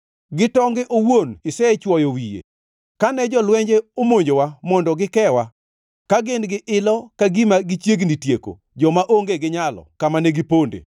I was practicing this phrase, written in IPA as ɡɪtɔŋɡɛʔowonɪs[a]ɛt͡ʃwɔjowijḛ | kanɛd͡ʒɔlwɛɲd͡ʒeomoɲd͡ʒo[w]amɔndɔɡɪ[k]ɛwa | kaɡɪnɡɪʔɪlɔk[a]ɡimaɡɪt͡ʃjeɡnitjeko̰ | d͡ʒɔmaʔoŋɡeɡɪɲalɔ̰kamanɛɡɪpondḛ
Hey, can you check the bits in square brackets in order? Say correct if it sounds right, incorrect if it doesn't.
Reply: incorrect, correct, correct, correct

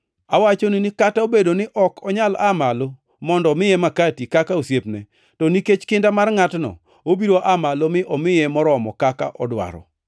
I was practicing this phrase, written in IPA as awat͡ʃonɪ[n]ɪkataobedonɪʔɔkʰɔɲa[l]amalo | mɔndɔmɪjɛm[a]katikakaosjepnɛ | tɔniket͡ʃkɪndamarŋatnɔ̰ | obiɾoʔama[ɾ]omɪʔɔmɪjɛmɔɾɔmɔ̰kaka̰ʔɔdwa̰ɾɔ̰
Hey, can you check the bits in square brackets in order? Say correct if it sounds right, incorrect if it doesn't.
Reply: correct, correct, correct, incorrect

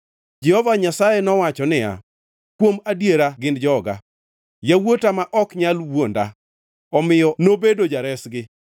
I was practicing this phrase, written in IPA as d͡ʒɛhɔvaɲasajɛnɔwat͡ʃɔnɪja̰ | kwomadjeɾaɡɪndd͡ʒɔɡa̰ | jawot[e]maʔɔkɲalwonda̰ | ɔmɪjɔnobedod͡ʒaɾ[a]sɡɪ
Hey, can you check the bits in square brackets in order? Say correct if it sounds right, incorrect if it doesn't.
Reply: incorrect, incorrect

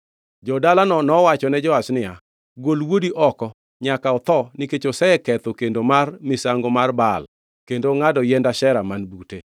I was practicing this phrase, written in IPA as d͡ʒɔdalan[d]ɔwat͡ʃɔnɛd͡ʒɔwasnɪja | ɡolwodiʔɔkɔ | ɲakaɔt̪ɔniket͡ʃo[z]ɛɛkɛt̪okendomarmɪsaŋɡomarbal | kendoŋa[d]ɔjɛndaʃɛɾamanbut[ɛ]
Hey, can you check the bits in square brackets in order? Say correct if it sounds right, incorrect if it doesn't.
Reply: incorrect, incorrect, correct, incorrect

